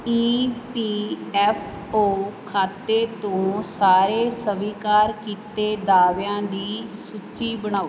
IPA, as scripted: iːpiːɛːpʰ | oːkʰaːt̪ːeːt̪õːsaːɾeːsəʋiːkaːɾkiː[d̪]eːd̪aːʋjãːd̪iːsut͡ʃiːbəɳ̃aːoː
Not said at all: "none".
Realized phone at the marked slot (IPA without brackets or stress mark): t̪